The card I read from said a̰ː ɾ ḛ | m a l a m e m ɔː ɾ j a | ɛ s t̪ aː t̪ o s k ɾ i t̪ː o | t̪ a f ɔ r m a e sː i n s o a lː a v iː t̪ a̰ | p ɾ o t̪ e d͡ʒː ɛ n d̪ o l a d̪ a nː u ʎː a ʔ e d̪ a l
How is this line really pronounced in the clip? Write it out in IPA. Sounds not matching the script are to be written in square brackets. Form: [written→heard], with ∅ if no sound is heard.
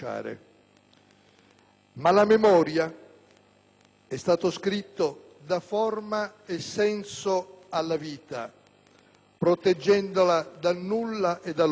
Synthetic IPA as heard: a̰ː ɾ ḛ | m a l a m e m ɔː ɾ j a | ɛ s t̪ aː t̪ o s k ɾ i t̪ː o | [t̪→d̪] a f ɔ r m a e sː [i→ɛ] n s o a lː a v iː t̪ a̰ | p ɾ o t̪ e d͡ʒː ɛ n d̪ o l a d̪ a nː u [ʎː→lː] a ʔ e d̪ a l